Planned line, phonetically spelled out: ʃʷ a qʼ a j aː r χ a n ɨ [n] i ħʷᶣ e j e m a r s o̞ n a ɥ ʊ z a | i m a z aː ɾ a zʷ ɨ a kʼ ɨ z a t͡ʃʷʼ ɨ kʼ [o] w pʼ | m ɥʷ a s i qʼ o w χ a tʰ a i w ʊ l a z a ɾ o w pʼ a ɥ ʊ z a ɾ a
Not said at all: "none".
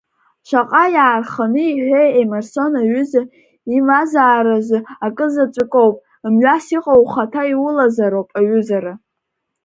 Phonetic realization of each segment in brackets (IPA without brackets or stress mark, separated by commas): none, o